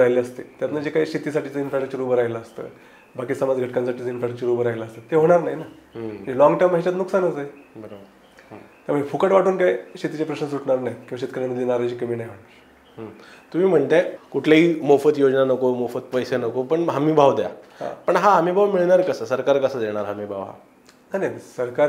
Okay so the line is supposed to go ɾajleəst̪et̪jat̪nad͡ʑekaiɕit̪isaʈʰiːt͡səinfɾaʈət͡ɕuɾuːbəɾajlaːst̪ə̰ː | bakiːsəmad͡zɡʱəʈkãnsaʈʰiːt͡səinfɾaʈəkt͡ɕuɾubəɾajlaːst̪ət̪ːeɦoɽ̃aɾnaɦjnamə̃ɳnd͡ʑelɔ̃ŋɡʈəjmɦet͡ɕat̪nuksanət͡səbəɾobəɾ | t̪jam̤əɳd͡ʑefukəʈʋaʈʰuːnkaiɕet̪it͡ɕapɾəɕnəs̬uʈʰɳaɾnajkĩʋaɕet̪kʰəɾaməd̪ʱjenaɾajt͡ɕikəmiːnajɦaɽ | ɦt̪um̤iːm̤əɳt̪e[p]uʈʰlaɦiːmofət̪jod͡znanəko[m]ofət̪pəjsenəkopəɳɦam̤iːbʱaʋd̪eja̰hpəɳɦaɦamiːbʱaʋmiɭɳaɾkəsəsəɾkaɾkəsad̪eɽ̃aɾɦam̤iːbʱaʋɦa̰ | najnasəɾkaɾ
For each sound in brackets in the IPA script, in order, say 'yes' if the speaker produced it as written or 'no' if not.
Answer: no, yes

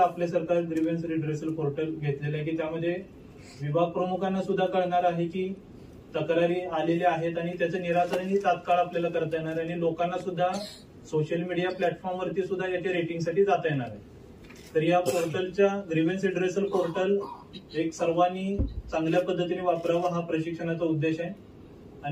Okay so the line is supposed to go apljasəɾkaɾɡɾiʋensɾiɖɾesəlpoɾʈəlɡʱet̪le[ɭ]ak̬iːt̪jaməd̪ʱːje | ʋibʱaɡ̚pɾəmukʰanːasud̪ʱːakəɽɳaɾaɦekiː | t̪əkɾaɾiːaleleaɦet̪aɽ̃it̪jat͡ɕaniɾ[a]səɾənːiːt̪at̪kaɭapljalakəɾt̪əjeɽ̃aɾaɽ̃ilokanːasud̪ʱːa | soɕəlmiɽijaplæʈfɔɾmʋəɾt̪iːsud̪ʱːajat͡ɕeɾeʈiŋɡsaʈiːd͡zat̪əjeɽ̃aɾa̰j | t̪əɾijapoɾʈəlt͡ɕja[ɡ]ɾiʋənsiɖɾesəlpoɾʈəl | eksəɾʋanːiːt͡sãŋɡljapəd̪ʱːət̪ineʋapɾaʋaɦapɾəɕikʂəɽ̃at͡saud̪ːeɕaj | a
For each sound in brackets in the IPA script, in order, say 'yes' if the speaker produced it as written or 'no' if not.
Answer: no, yes, yes

